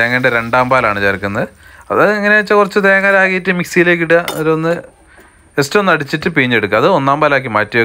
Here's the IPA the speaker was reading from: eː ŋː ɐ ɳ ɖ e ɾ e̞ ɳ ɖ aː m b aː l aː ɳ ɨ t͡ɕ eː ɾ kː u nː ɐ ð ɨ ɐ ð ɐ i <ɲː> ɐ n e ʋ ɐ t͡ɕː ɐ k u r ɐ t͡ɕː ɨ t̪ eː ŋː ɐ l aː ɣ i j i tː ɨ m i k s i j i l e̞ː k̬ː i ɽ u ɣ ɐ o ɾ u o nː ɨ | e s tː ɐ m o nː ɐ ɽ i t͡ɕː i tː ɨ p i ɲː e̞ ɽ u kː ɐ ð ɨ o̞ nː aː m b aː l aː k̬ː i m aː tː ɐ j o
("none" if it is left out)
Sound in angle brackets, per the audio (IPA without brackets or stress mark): ŋː